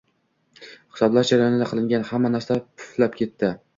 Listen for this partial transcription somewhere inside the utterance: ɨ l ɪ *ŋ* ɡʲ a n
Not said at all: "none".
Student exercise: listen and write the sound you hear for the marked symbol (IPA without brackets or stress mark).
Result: ŋ